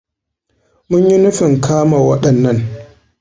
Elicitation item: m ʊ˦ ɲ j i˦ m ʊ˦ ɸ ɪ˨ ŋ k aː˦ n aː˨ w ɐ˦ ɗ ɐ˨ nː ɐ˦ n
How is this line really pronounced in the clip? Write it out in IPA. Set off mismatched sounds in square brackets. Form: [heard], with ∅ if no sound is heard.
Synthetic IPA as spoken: m ʊ˦ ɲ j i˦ [n] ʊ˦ ɸ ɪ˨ ŋ k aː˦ [m] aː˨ w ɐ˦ ɗ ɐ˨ nː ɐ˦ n

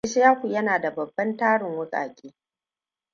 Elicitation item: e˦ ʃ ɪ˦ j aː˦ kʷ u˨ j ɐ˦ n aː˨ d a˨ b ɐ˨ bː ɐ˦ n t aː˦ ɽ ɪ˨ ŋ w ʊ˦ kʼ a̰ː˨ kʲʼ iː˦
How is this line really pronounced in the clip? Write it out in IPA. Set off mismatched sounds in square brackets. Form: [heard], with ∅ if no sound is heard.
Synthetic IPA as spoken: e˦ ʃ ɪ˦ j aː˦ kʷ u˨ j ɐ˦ n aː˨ d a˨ b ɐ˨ bː ɐ˦ n t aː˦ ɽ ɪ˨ ŋ w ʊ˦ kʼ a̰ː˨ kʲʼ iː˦

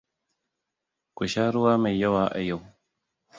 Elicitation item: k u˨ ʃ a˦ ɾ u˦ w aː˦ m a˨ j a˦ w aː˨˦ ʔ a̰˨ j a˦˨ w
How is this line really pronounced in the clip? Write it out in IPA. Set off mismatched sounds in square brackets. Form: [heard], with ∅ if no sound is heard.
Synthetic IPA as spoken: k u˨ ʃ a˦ ɾ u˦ w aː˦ m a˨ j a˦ w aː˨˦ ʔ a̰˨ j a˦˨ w

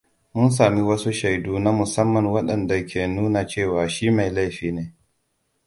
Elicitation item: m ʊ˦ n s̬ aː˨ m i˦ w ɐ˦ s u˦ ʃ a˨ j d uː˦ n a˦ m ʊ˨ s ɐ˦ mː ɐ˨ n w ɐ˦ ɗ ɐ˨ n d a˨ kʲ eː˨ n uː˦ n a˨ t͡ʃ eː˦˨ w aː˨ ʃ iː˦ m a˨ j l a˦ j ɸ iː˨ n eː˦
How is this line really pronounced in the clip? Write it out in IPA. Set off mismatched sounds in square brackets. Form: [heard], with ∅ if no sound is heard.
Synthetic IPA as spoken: m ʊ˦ n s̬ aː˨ m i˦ w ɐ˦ s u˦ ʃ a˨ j d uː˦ n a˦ m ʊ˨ s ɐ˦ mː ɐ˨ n w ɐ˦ ɗ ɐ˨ n d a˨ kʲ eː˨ n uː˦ n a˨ t͡ʃ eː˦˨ w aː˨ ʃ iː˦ m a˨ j l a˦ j ɸ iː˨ n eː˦

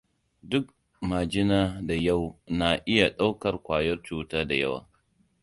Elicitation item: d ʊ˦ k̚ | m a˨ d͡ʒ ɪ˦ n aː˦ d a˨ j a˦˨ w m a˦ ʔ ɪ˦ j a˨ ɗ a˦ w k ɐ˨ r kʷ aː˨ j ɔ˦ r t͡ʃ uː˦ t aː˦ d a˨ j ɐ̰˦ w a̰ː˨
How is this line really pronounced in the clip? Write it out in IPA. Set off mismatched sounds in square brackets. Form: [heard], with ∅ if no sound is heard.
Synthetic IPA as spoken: d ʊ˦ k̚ | m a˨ d͡ʒ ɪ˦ n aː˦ d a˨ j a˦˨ w [n] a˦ ʔ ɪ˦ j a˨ ɗ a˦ w k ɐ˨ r kʷ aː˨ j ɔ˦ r t͡ʃ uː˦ t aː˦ d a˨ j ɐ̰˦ w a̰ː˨

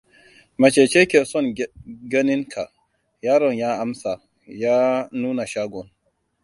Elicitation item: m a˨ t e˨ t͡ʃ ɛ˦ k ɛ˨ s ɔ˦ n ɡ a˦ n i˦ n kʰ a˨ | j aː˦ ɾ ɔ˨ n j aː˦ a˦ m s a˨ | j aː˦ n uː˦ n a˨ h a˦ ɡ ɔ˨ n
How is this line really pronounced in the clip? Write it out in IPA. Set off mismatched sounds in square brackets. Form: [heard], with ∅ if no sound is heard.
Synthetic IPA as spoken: m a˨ [t͡ʃ] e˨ t͡ʃ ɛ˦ k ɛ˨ s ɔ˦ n ɡ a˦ n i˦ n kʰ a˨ | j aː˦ ɾ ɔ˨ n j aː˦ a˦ m s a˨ | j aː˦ n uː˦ n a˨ [ʃ] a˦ ɡ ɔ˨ n

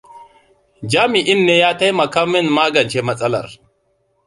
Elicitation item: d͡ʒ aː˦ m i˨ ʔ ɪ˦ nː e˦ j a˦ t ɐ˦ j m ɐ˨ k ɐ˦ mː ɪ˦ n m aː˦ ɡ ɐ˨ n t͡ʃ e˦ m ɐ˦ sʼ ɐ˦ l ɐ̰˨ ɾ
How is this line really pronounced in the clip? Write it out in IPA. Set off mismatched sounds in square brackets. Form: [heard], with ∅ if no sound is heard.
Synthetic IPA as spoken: d͡ʒ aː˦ m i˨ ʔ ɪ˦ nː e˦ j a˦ t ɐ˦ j m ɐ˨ k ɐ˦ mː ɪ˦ n m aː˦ ɡ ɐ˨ n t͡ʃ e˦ m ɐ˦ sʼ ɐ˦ l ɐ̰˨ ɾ

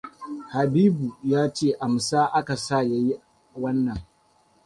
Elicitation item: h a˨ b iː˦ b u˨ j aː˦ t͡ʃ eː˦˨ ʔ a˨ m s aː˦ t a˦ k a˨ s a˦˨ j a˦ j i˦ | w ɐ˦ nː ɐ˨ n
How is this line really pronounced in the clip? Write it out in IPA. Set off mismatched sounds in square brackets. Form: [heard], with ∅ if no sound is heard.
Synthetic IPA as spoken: h a˨ b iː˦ b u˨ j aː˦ t͡ʃ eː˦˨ ʔ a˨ m s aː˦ [ʔ] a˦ k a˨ s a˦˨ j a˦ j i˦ | w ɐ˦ nː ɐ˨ [ŋ]

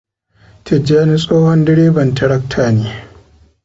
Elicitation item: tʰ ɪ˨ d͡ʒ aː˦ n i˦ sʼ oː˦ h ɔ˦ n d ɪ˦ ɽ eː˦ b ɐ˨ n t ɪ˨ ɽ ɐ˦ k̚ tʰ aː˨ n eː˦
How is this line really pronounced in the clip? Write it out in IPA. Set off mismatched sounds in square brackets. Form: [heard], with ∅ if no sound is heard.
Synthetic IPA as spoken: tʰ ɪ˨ d͡ʒ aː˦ n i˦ sʼ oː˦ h ɔ˦ n d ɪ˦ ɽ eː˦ b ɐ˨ n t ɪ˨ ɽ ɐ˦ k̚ tʰ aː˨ n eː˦

